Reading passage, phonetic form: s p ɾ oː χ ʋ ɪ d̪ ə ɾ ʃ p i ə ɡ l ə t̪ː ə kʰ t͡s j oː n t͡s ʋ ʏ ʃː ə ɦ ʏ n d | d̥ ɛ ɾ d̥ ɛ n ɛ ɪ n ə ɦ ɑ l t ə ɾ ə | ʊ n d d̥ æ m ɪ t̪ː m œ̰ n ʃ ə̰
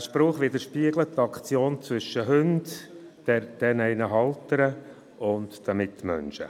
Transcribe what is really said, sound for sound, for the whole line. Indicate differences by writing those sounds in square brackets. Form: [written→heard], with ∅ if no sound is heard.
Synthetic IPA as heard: [s→ʃ] p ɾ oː χ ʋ ɪ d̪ ə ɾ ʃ p i ə ɡ l ə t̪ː [ə→ɑ] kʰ t͡s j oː n t͡s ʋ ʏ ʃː ə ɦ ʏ n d | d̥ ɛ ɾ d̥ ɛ n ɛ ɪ n ə ɦ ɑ l t ə ɾ ə | ʊ n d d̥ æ m ɪ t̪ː m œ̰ n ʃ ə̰

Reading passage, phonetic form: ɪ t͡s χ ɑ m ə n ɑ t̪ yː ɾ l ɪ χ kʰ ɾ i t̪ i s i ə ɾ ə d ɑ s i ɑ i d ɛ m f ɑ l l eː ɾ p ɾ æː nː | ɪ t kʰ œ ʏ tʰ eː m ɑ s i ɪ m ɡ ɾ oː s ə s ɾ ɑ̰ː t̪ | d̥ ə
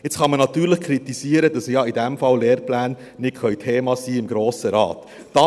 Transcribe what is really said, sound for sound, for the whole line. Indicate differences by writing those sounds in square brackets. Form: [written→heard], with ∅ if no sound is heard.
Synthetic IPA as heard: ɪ t͡s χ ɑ m ə n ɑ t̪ yː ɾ l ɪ χ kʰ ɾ i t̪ i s i ə ɾ ə d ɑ s [i→j] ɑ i d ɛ m f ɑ l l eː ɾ p [ɾ→l] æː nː | ɪ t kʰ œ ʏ tʰ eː m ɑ s [i→iː] ɪ m ɡ ɾ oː s ə [s→∅] ɾ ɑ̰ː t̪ | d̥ [ə→ɑ]

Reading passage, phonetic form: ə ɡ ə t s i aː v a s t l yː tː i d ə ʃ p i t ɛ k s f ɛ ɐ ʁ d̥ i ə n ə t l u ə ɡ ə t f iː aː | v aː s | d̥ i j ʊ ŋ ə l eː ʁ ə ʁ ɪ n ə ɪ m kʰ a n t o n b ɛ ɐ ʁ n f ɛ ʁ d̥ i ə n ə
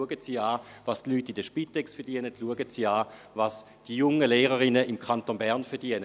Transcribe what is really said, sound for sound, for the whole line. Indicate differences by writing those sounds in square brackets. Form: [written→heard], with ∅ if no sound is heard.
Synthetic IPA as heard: ə ɡ ə t s i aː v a s t l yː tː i d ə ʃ p i t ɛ k s f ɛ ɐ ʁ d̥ i ə n ə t l u ə ɡ ə t [f→s] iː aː | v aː s | d̥ i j ʊ ŋ ə l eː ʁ ə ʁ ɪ n ə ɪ m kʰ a n t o n b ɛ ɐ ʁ n f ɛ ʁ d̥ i ə n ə

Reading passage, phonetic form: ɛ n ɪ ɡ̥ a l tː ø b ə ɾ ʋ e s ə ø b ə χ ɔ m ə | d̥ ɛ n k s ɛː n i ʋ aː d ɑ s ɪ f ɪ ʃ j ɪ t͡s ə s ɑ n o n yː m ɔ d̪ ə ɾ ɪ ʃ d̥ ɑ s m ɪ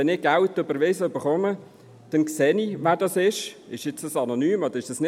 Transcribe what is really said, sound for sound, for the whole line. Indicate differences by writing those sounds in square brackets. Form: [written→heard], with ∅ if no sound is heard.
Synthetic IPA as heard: ɛ n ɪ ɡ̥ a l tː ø b ə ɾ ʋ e s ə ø b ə χ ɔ m ə | d̥ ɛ n k s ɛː n i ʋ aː d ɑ s ɪ [f→ʃ] ɪ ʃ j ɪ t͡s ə s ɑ n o n yː m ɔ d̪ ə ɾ ɪ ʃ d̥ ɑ s [m→n] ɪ

